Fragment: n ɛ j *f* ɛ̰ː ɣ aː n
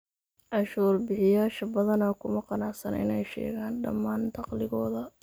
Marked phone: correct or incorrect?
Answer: incorrect